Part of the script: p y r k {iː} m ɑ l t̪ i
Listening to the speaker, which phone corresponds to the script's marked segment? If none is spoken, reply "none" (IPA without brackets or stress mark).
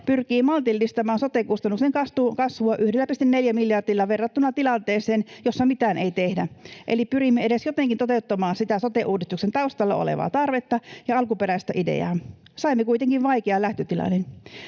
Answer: iː